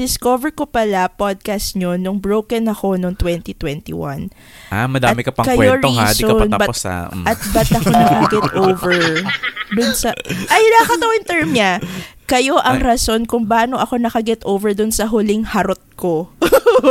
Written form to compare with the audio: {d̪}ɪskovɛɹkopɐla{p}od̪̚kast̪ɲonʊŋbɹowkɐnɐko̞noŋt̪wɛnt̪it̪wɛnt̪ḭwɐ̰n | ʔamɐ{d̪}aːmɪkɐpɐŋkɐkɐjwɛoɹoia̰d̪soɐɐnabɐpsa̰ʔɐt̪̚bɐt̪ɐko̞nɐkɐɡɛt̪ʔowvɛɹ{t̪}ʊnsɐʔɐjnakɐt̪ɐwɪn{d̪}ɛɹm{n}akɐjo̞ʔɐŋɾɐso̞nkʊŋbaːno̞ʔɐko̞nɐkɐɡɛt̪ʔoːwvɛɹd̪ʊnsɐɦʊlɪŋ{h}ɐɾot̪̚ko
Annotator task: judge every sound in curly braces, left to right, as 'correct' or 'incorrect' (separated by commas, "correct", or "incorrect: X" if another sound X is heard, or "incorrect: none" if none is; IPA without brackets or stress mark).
correct, correct, correct, incorrect: d̪, incorrect: t̪, incorrect: ɲ, correct